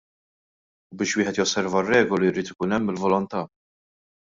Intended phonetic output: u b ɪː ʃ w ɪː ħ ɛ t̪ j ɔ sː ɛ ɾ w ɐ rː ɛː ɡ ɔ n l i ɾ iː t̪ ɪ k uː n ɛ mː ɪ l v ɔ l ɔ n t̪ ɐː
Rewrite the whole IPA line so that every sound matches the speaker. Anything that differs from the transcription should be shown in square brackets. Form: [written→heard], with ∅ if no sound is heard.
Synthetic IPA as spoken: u b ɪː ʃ w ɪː ħ ɛ t̪ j ɔ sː ɛ ɾ [w→v] ɐ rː ɛː ɡ ɔ [n→∅] l i ɾ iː t̪ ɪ k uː n ɛ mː ɪ l v ɔ l ɔ n t̪ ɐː

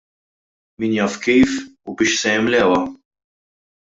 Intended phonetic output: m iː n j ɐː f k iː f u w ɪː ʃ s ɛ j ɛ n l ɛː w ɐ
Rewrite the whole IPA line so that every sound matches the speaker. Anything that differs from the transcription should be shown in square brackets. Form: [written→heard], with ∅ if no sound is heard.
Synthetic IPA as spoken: m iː n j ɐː f k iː f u [w→b] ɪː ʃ s ɛ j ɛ [n→m] l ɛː w ɐ

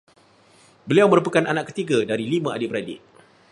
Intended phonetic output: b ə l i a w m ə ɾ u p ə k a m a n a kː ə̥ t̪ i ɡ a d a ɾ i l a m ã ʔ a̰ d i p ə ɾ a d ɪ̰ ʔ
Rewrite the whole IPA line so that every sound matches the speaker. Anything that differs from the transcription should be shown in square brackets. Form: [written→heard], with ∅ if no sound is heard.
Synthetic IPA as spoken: b ə l i a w m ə ɾ u p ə k a [m→n] a n a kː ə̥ t̪ i ɡ a d a ɾ i l [a→i] m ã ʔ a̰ d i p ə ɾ a d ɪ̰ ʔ

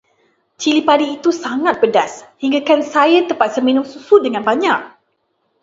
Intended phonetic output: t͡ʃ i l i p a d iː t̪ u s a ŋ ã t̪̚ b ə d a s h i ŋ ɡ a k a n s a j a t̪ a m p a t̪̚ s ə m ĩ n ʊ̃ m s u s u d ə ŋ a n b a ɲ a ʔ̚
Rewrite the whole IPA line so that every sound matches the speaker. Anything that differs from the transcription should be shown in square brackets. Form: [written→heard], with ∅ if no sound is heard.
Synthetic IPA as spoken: t͡ʃ i l i p a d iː t̪ u s a ŋ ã t̪̚ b ə d a s h i ŋ ɡ a k a n s a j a t̪ [a→ə] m p a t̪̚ s ə m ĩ n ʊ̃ m s u s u d ə ŋ a n b a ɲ a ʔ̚

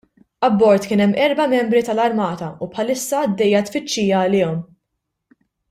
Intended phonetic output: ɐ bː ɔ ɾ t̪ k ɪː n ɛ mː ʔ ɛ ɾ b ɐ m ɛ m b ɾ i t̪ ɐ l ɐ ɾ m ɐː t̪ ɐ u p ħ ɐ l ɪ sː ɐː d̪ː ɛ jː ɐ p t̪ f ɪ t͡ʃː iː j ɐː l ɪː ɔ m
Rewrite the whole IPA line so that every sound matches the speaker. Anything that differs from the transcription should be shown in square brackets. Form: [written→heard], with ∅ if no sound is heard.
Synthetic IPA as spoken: ɐ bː ɔ ɾ t̪ k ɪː n ɛ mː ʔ ɛ ɾ b ɐ m ɛ m b ɾ i t̪ ɐ l ɐ ɾ m ɐː t̪ ɐ u p ħ ɐ l ɪ sː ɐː d̪ː ɛ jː ɐ [p→∅] t̪ f ɪ t͡ʃː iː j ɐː l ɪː ɔ m

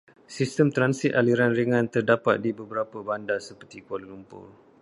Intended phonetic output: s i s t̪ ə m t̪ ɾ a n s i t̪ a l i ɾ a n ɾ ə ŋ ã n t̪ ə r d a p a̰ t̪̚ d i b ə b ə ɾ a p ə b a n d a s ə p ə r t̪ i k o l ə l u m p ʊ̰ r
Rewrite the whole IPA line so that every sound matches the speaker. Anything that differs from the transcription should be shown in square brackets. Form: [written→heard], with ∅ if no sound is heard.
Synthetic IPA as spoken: s i s t̪ ə m t̪ ɾ a n s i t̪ a l i ɾ a n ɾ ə ŋ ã n t̪ ə r d a p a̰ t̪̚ d i b ə b ə ɾ a p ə b a n d a s ə p ə r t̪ i k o l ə l u m p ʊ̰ r

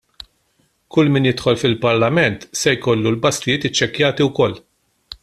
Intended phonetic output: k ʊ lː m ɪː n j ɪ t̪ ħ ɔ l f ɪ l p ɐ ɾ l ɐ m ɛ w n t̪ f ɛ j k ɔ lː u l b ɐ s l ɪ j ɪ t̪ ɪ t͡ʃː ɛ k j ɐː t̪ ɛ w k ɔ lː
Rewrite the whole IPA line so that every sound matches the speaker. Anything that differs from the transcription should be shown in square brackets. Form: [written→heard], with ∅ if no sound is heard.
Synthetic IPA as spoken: k ʊ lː m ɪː n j ɪ t̪ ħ ɔ l f ɪ l p ɐ ɾ l ɐ m ɛ [w→∅] n t̪ [f→s] ɛ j k ɔ lː u l b ɐ s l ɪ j [ɪ→ɪː] t̪ ɪ t͡ʃː ɛ k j ɐː t̪ [ɛ→i] w k ɔ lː

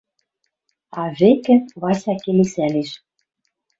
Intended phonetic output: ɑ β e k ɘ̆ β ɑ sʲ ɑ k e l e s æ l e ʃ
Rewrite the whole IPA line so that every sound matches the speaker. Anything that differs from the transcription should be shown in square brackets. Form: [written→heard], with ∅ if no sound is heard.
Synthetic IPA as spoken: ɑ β e k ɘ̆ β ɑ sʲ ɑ k e l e s æ l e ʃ

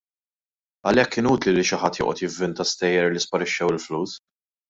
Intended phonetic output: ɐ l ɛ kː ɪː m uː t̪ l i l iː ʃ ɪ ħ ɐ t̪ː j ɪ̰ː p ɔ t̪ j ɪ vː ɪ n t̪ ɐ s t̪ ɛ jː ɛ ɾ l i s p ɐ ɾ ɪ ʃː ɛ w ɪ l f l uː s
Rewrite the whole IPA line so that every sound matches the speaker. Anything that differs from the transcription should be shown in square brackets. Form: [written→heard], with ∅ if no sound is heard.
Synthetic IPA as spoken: ɐ l ɛ kː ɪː [m→n] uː t̪ l i l [iː→i] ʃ ɪ ħ ɐ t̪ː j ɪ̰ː [p→ʔ] ɔ t̪ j ɪ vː ɪ n t̪ ɐ s t̪ ɛ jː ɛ ɾ l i s p ɐ ɾ ɪ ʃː ɛ w ɪ l f l uː s

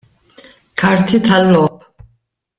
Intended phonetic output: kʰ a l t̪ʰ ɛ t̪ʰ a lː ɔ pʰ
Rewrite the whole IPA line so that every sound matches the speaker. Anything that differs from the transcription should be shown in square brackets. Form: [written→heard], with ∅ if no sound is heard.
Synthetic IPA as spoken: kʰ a [l→ɾ] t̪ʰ [ɛ→i] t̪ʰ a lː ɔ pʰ

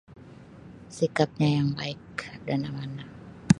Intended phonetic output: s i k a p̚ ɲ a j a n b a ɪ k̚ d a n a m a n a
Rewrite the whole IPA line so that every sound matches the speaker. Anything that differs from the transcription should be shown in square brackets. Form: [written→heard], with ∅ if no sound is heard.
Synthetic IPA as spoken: s i k a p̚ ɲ a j a [n→ŋ] b a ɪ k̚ d a n a m a n a

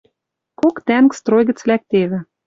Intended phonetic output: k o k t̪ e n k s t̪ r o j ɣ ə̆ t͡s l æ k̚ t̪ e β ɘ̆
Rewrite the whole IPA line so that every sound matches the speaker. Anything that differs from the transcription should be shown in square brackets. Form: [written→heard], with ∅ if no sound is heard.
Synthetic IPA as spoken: k o k t̪ [e→æ] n k s t̪ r o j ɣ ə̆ t͡s l æ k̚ t̪ e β ɘ̆

